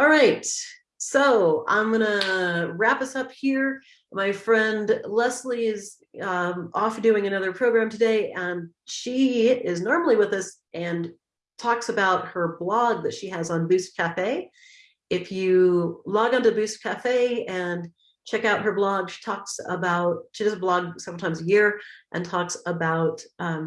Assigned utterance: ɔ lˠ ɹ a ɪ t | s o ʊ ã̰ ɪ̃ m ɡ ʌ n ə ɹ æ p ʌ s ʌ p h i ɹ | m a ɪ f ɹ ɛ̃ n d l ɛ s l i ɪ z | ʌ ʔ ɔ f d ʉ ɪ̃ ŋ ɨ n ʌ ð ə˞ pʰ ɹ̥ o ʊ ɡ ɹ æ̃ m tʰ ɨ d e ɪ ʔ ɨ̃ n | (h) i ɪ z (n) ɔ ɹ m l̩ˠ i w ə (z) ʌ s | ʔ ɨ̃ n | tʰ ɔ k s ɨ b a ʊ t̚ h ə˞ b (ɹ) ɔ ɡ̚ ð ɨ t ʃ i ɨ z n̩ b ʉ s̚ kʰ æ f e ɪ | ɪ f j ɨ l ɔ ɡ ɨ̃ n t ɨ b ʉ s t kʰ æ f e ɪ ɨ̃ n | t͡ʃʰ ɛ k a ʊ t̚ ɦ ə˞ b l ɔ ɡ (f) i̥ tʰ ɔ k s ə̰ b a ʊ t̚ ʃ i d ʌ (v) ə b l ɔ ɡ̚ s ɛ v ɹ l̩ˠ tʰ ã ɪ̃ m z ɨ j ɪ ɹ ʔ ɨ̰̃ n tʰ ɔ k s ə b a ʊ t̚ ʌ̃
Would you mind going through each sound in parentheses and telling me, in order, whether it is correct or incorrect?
incorrect: ʃ, correct, incorrect: ð, incorrect: l, incorrect: ʃ, incorrect: z

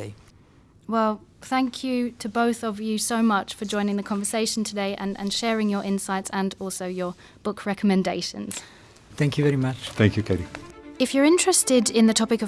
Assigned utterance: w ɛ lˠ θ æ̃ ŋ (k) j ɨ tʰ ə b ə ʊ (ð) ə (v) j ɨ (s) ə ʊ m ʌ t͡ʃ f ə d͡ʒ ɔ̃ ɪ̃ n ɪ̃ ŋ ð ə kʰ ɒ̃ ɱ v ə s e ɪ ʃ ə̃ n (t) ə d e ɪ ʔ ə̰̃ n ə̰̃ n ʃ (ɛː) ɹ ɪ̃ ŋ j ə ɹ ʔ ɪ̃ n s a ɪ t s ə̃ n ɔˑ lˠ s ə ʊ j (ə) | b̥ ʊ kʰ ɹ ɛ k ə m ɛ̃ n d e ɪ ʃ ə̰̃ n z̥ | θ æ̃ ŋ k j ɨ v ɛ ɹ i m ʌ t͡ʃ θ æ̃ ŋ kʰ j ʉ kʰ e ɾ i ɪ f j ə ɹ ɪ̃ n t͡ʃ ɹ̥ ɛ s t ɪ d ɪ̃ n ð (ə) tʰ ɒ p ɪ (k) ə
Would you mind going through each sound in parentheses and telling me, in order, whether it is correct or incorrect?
incorrect: kʰ, incorrect: θ, correct, correct, incorrect: tʰ, correct, correct, correct, correct

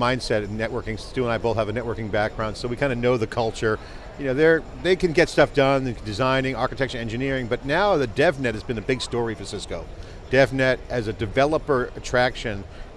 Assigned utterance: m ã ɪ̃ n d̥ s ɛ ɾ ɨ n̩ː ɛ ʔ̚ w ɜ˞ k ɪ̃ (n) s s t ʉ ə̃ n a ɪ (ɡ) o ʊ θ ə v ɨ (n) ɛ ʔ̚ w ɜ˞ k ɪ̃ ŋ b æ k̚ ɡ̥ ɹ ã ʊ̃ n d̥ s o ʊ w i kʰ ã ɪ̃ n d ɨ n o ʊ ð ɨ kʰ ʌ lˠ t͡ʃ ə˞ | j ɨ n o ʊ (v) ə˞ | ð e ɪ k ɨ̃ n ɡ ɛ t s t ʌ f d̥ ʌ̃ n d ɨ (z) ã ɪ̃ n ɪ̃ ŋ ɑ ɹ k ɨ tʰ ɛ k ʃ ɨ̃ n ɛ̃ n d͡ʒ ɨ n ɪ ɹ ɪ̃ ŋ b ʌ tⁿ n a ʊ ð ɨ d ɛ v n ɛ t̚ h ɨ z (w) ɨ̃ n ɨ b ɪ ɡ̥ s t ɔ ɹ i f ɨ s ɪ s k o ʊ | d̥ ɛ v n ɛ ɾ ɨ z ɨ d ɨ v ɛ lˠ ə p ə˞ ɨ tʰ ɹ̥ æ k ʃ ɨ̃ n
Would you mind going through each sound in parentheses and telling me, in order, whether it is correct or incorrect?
incorrect: ŋ, incorrect: b, correct, incorrect: ð, correct, incorrect: b

